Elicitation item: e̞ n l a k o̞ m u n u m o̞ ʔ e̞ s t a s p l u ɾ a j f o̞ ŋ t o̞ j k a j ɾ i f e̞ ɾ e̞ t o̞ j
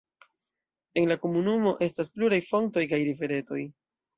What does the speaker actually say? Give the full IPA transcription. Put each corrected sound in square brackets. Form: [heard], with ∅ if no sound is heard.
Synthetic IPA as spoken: e̞ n l a k o̞ m u n u m o̞ ʔ e̞ s t a s p l u ɾ a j f o̞ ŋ t o̞ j k a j ɾ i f e̞ ɾ e̞ t o̞ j